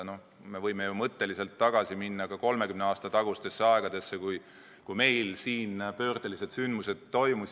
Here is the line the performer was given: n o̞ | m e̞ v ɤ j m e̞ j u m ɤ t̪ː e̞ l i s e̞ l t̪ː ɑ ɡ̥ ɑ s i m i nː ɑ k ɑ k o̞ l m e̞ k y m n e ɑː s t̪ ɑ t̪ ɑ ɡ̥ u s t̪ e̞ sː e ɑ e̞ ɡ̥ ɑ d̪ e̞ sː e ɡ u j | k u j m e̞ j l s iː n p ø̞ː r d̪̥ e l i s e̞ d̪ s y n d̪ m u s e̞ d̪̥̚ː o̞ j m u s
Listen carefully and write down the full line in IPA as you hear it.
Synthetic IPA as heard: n o̞ | m e̞ v ɤ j m e̞ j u m ɤ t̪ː e̞ l i s e̞ l t̪ː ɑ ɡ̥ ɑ s i m i nː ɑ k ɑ k o̞ l m e̞ k y m n e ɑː s t̪ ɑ t̪ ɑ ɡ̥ u s t̪ e̞ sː e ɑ e̞ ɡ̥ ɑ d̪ e̞ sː e k u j | k u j m e̞ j l s iː n p ø̞ː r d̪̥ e l i s e̞ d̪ s y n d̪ m u s e̞ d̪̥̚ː o̞ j m u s